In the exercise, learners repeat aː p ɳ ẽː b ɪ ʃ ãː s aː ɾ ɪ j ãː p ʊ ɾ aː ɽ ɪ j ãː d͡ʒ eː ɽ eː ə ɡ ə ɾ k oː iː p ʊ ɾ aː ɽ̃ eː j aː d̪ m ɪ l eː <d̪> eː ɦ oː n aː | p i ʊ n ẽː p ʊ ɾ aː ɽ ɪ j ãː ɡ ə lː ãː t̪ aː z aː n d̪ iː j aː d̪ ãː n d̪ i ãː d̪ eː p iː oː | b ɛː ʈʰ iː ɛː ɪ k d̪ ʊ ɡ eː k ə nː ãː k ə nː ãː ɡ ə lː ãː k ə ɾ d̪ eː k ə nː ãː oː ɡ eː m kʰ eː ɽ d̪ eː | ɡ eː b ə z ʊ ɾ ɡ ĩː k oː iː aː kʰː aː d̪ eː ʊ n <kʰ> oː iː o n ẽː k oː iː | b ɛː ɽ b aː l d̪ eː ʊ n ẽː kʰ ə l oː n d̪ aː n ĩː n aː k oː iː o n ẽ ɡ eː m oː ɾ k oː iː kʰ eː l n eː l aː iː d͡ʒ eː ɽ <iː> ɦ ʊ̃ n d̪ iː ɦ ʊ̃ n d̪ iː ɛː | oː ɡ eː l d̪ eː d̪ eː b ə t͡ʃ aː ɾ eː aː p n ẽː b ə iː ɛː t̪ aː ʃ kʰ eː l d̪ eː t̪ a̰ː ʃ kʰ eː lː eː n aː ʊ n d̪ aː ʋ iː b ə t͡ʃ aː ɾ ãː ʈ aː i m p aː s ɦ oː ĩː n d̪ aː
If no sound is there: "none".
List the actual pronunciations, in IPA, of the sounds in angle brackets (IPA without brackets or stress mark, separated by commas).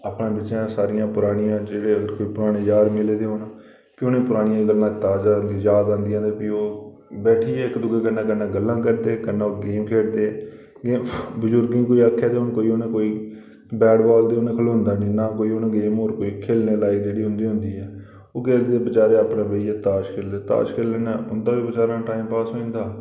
d̪, k, iː